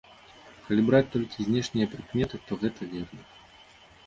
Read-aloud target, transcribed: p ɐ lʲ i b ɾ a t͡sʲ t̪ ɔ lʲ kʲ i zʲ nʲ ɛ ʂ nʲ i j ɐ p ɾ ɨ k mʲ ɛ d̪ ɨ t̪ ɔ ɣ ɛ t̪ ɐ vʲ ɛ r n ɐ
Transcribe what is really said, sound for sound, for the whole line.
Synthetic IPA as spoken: k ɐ lʲ i b ɾ a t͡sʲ t̪ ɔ lʲ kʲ i zʲ nʲ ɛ ʂ nʲ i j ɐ p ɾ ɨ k mʲ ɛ t̪ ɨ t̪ ɔ ɣ ɛ t̪ ɐ vʲ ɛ r n ɐ